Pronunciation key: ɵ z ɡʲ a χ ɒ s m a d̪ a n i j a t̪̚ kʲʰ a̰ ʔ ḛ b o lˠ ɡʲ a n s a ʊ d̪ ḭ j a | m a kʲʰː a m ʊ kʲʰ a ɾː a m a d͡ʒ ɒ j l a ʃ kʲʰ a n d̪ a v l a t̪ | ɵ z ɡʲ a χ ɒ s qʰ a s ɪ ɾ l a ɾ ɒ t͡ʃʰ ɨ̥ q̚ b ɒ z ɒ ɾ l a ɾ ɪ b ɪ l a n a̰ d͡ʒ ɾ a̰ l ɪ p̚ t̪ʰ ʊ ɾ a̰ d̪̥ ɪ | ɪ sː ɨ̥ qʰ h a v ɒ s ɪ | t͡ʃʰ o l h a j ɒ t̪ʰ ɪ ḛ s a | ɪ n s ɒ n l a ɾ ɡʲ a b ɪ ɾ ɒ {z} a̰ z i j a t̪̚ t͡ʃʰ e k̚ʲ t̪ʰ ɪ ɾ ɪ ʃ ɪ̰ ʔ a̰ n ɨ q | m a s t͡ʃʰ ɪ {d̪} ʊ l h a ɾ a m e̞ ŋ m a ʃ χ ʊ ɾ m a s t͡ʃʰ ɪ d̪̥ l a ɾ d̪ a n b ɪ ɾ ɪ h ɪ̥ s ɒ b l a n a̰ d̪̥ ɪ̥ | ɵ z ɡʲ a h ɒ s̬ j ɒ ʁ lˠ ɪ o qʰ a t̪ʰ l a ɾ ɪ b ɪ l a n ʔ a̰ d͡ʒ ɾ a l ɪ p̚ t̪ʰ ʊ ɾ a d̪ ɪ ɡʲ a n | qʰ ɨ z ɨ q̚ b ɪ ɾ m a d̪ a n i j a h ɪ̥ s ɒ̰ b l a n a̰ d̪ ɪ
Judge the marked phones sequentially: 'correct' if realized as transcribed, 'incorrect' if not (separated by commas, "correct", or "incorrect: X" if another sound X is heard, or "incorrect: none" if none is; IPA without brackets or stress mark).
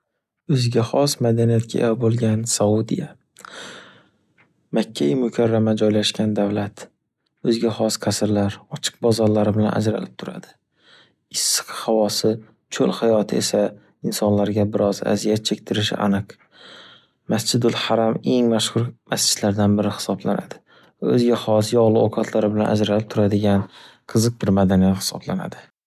correct, correct